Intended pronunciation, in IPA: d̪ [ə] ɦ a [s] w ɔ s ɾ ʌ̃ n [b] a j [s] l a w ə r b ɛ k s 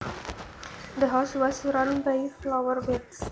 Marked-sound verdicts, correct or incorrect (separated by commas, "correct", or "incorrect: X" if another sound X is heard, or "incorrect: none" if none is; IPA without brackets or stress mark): correct, correct, correct, incorrect: f